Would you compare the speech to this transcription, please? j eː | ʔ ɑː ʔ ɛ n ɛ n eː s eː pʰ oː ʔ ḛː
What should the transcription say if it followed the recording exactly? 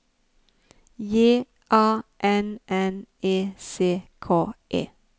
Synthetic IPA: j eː | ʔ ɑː ʔ ɛ n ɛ n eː s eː kʰ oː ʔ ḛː